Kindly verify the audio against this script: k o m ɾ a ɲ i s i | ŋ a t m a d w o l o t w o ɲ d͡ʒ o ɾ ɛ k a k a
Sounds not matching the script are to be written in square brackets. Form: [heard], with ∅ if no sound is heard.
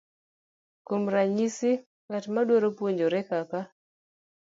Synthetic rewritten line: k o m ɾ a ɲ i s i | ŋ a t m a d w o [ɾ] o [p] w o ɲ d͡ʒ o ɾ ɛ k a k a